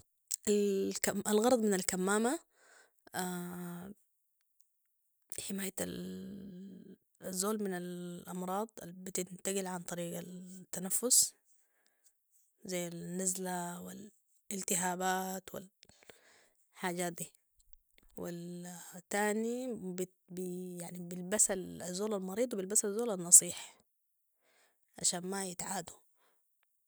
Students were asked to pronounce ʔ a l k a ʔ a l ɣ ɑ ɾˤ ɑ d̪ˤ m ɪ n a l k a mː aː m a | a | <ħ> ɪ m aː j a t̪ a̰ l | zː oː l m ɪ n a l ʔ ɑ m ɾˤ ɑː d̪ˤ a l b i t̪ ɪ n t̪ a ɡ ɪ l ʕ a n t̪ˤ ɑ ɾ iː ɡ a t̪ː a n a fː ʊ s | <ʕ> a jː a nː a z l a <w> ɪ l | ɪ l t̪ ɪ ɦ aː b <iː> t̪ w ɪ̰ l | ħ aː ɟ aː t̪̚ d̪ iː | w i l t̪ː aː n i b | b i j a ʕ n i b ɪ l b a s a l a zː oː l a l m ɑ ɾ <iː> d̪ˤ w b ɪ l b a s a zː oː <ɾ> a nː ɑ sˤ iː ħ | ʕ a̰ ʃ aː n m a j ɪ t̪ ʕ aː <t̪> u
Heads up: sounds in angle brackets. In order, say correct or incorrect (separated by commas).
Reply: correct, incorrect, correct, incorrect, correct, incorrect, incorrect